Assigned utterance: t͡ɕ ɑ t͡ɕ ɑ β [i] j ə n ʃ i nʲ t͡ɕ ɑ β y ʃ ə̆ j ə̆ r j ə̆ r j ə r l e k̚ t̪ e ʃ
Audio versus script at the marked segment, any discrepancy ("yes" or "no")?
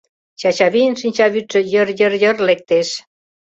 no